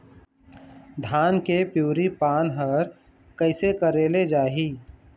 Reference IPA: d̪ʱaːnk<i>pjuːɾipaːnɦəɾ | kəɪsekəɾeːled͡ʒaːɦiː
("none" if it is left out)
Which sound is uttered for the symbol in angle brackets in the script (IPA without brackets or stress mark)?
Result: e